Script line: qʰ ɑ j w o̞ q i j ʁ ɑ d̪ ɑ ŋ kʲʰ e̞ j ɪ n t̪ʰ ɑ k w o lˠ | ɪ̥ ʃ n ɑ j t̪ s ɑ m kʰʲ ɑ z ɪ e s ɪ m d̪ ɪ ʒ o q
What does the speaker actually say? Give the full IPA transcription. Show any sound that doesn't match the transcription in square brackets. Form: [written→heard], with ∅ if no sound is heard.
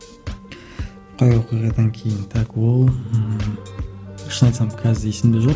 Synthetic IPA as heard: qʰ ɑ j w o̞ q i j ʁ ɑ d̪ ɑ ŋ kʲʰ e̞ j ɪ n t̪ʰ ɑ k w o lˠ | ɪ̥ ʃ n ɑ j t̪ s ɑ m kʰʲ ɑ z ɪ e s ɪ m d̪ ɪ ʒ o q